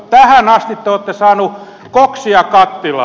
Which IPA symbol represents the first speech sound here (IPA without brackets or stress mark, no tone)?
t̪